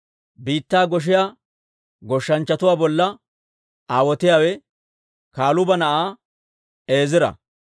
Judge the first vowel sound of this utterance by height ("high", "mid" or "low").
high